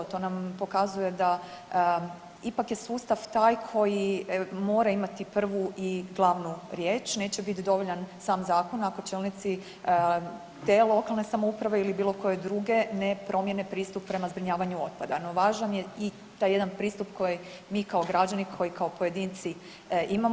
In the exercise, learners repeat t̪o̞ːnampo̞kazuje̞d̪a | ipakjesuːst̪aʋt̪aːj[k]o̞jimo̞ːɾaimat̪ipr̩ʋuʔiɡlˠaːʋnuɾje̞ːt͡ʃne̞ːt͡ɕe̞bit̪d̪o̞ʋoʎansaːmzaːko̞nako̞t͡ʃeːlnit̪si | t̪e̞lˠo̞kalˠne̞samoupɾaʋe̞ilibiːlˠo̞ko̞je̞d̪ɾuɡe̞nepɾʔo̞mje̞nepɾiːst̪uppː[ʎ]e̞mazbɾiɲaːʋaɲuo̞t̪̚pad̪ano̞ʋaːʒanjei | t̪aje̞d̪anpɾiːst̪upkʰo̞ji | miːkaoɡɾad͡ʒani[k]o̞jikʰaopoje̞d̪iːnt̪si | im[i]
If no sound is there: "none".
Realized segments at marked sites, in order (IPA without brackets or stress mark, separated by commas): kʰ, ɾ, kʰ, a